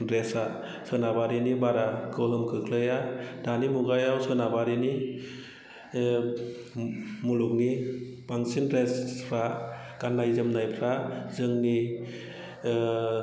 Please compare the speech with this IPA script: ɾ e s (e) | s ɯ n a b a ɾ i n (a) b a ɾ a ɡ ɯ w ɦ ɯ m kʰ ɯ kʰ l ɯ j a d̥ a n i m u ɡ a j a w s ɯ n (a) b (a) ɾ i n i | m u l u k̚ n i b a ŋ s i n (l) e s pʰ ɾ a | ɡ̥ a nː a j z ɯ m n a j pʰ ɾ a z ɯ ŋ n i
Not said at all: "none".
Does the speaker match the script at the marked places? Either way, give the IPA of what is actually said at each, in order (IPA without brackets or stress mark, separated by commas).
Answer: a, i, a, a, ɾ